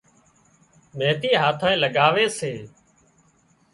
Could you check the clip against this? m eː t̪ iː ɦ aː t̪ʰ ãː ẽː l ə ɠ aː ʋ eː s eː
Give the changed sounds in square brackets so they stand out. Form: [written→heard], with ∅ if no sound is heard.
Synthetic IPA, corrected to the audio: m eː t̪ iː ɦ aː t̪ʰ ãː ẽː l ə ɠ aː ʋ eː s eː